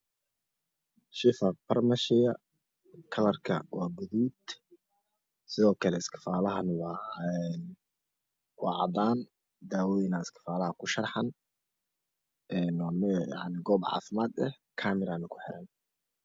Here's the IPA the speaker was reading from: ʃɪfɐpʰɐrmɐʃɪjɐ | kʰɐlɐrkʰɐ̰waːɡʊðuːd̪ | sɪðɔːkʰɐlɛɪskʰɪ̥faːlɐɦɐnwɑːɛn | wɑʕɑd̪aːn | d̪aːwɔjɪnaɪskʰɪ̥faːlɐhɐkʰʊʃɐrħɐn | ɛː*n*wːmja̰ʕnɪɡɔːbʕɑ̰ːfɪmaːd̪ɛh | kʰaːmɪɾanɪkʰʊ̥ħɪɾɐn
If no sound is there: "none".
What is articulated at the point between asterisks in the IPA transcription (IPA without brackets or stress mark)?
n